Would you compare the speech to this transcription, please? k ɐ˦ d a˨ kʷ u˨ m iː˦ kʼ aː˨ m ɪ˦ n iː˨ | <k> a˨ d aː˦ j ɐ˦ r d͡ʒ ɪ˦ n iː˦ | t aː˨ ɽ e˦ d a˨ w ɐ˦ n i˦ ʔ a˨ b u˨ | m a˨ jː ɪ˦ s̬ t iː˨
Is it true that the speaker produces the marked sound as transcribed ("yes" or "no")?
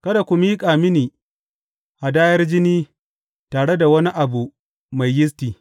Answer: no